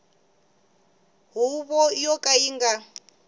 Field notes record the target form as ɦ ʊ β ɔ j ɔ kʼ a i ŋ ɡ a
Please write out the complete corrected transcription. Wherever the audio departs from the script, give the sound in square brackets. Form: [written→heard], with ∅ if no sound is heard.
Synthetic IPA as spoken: ɦ [ʊ→u] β ɔ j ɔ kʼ a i ŋ ɡ a